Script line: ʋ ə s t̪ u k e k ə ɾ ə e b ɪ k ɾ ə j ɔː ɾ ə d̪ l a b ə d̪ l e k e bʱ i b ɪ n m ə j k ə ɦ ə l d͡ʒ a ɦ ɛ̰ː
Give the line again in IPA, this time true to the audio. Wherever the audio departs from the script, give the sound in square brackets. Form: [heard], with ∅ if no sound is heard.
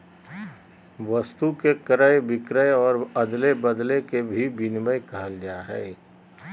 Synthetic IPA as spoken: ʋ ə s t̪ u k e k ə ɾ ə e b ɪ k ɾ ə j ɔː ɾ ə d̪ l [e] b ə d̪ l e k e bʱ i b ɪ n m ə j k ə ɦ ə l d͡ʒ a ɦ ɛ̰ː